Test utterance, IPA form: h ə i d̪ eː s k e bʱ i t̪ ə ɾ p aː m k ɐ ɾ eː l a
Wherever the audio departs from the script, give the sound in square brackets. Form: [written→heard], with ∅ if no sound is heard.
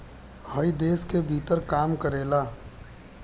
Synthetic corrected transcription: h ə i d̪ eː s k e bʱ i t̪ ə ɾ [p→k] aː m k [ɐ→ə] ɾ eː l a